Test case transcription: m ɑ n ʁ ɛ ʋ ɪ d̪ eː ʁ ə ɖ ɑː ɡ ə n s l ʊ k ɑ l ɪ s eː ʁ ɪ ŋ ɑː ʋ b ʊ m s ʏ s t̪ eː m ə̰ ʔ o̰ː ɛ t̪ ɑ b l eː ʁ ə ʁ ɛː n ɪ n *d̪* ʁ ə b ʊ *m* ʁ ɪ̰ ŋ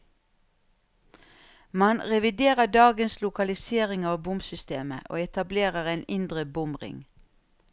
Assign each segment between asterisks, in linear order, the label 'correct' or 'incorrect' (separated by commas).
correct, correct